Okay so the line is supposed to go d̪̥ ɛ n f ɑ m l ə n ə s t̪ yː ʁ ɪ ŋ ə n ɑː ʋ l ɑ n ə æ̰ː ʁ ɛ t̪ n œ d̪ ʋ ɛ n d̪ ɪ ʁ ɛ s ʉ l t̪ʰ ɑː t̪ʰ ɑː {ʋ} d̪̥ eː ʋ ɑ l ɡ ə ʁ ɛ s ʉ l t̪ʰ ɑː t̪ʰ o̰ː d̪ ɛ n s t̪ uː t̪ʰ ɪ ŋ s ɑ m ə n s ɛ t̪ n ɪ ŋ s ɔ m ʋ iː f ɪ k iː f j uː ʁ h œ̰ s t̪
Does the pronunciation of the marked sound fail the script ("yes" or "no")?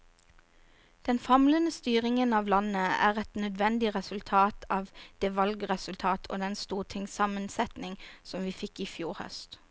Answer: no